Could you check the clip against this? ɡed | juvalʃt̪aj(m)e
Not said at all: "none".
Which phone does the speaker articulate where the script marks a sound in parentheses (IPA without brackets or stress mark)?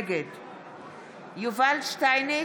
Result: n